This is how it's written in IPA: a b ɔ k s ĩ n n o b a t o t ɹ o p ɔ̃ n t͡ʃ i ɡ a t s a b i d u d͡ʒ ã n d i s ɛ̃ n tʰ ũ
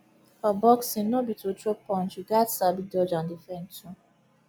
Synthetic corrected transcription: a b ɔ k s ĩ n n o b i t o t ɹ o p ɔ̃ n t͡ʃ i ɡ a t s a b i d ɔ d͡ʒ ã n d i f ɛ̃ n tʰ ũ